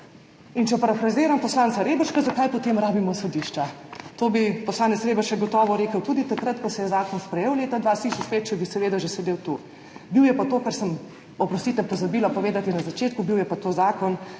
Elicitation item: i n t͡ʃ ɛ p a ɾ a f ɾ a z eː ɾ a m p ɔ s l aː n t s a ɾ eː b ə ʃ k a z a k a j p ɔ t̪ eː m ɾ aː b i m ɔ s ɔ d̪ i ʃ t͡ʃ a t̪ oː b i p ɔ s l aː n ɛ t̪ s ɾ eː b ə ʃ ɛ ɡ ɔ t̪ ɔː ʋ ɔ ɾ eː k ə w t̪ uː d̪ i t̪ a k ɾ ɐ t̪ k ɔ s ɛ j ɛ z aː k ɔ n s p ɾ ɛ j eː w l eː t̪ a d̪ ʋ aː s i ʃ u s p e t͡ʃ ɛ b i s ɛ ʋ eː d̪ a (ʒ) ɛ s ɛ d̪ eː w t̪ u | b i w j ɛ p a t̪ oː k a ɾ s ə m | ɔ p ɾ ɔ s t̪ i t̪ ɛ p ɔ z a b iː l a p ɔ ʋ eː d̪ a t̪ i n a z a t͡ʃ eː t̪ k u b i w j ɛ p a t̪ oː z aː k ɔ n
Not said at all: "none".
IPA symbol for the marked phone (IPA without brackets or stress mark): ʒ